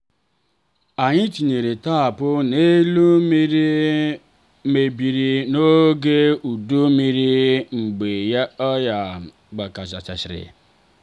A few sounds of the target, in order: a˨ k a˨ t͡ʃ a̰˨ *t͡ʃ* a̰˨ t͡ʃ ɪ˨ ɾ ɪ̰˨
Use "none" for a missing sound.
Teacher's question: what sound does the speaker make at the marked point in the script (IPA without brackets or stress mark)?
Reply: t͡ʃ